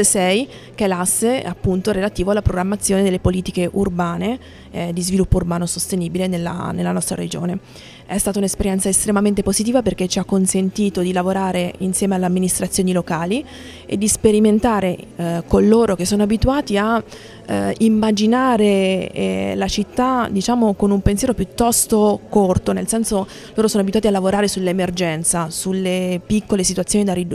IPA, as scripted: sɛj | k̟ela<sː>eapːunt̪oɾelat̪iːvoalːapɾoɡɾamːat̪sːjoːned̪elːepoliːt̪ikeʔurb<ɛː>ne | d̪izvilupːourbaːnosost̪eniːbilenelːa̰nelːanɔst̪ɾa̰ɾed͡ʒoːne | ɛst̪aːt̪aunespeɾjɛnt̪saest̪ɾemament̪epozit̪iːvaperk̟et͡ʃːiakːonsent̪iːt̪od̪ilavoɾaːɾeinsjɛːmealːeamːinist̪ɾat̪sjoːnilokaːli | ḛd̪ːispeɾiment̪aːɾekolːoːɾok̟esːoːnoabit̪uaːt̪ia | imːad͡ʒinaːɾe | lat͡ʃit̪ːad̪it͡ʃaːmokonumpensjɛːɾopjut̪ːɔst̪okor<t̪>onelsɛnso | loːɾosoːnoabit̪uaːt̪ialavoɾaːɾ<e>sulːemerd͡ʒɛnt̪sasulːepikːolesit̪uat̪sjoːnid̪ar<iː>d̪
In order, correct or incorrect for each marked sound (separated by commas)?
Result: correct, incorrect, correct, correct, incorrect